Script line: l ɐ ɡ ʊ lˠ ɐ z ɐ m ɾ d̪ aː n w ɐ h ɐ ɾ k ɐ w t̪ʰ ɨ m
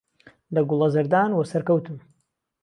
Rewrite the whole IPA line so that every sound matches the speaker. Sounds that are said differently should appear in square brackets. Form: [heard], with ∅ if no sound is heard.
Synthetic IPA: l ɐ ɡ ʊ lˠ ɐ z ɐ [∅] ɾ d̪ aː n w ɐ [s] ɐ ɾ k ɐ w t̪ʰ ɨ m